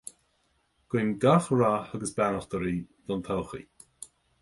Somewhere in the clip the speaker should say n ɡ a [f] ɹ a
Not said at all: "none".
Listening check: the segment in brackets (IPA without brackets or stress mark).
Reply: x